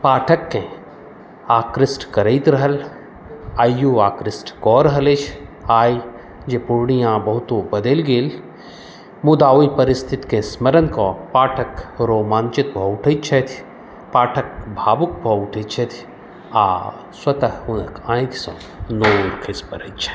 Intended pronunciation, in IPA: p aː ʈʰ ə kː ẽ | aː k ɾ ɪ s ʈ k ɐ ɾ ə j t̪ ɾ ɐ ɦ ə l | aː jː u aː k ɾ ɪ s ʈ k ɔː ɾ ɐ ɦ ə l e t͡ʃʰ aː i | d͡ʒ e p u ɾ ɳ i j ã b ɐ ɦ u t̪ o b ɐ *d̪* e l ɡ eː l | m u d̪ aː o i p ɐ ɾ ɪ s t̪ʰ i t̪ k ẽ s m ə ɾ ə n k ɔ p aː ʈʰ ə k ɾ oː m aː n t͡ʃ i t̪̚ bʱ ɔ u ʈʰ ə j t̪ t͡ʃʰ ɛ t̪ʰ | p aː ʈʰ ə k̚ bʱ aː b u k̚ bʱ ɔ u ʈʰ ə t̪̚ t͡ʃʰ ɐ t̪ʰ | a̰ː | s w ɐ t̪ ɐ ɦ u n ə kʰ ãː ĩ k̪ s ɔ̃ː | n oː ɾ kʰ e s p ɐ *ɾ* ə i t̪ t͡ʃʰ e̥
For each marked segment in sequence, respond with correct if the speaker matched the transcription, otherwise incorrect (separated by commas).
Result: correct, correct